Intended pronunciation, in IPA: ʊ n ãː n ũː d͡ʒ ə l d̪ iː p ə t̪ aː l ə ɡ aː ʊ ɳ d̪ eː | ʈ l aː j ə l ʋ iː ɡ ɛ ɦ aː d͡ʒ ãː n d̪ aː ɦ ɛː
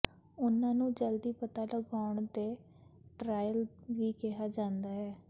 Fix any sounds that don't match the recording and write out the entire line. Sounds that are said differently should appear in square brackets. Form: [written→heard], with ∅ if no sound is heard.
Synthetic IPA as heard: ʊ n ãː n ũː d͡ʒ ə l d̪ iː p ə t̪ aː l ə ɡ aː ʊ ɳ d̪ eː | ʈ [l→ɾ] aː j ə l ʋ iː [ɡ→k] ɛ ɦ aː d͡ʒ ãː n d̪ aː ɦ ɛː